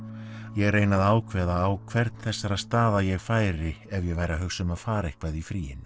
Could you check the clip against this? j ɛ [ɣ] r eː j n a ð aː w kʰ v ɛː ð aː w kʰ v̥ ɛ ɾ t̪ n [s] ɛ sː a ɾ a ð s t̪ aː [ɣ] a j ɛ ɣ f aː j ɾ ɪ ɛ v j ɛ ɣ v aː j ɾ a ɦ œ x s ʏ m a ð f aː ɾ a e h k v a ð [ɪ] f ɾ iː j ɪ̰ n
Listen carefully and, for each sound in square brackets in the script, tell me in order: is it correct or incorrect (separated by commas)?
correct, incorrect, incorrect, incorrect